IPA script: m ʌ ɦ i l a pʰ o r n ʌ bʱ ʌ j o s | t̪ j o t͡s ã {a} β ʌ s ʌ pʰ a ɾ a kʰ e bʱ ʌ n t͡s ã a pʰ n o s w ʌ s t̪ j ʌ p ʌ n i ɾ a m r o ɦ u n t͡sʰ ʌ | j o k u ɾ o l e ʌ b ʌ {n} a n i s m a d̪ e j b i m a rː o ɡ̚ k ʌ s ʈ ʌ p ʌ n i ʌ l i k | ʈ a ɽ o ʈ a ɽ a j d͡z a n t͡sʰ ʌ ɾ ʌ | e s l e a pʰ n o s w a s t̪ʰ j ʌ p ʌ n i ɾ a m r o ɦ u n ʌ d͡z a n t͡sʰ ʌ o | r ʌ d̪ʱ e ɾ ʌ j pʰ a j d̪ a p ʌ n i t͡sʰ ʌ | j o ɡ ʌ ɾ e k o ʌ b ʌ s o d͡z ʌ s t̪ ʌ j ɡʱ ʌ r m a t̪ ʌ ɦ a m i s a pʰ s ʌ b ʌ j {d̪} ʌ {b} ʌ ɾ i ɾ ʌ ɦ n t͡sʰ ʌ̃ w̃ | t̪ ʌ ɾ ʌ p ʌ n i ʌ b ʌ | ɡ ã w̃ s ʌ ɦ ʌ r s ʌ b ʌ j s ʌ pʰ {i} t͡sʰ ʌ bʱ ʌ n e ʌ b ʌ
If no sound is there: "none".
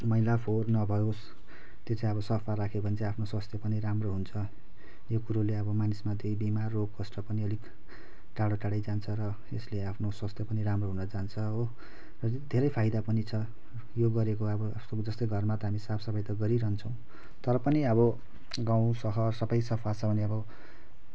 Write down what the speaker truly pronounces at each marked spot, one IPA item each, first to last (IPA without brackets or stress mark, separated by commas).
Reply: ʌ, m, t̪, ɡ, a